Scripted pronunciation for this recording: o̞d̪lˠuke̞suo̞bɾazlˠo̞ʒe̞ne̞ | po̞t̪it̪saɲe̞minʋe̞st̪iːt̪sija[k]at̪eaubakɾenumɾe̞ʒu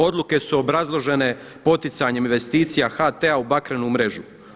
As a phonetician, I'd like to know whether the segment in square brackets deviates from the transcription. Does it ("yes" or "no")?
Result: yes